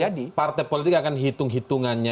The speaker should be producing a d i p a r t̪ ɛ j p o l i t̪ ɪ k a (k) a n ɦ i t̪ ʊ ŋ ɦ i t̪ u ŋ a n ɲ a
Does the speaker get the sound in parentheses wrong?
no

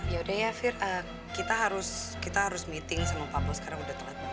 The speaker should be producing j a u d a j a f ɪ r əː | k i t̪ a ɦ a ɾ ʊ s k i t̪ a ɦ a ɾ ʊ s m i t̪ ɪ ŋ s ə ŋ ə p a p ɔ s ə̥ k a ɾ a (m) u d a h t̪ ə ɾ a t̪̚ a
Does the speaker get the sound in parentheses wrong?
yes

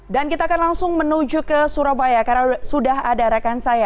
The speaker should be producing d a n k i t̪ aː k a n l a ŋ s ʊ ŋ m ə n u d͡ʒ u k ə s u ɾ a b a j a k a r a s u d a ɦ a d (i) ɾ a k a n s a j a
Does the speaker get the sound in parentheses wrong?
yes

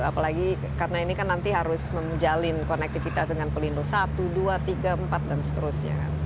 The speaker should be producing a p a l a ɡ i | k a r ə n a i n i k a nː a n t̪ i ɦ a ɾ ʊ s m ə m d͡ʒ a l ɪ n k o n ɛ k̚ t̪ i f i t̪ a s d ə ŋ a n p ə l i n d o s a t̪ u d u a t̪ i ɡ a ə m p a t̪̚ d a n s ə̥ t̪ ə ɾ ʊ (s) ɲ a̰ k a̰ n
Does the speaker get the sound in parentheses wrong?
no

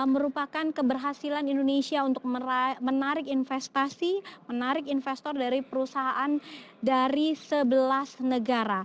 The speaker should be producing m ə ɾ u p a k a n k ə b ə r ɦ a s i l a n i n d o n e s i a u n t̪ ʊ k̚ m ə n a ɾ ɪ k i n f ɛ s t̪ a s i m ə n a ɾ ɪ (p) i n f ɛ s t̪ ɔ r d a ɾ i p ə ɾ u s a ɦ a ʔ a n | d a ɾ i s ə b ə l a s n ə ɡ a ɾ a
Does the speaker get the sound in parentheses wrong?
yes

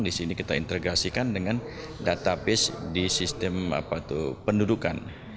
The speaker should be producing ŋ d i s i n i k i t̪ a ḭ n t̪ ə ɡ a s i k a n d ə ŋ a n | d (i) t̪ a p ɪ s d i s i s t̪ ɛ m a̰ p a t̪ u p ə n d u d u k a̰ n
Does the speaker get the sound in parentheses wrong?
yes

